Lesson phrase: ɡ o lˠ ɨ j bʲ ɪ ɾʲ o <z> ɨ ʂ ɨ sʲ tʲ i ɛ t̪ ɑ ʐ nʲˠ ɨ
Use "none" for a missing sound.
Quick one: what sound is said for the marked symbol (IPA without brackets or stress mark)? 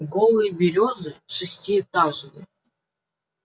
z